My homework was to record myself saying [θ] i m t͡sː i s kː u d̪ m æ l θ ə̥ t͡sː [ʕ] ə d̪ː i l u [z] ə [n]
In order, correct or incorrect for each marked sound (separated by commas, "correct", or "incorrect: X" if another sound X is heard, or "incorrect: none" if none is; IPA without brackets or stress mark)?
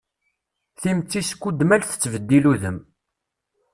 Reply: correct, incorrect: v, incorrect: ð, incorrect: m